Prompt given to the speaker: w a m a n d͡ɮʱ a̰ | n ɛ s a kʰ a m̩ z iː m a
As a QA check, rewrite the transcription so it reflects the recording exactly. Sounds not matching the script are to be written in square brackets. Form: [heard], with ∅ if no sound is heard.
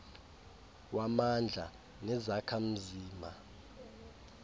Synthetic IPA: w a m a n d͡ɮʱ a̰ | n ɛ [z] a kʰ a m̩ z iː m a

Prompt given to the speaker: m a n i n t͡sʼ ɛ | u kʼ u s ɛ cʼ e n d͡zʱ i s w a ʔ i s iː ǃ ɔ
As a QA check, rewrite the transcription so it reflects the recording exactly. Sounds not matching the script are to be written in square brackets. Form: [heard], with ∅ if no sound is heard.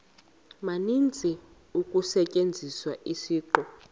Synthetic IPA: m a n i n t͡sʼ [i] | u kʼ u s ɛ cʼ e n d͡zʱ i s w a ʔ i s iː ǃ ɔ

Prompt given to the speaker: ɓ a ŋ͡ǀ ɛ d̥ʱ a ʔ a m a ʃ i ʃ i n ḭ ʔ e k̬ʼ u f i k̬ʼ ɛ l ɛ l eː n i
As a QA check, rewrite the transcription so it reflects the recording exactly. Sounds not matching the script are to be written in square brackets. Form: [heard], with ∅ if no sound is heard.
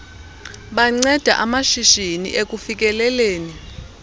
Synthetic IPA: ɓ a ŋ͡ǀ ɛ d̥ʱ a ʔ a m a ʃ i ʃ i n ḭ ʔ e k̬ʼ u f i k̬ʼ ɛ l ɛ l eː n i

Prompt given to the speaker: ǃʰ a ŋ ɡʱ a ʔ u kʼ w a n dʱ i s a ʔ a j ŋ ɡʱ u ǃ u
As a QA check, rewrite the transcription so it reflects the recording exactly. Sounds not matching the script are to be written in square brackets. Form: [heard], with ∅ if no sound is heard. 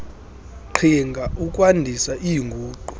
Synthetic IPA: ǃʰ [i] ŋ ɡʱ a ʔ u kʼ w a n dʱ i s a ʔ [i] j ŋ ɡʱ [uː] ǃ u

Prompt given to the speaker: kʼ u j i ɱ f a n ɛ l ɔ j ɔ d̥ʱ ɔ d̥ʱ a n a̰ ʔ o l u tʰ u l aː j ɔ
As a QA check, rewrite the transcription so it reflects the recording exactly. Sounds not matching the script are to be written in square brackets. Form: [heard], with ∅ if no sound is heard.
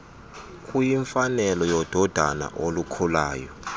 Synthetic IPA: kʼ u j i ɱ f a n ɛ l ɔ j ɔ d̥ʱ ɔ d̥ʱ a n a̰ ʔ o l u [kʰ] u l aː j ɔ

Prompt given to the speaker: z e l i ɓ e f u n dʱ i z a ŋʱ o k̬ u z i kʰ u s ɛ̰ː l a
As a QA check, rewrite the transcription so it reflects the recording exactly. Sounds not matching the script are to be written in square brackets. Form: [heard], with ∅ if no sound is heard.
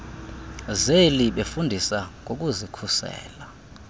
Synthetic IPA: z e l i ɓ e f u n dʱ i [s] a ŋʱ o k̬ u z i kʰ u s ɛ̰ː l a

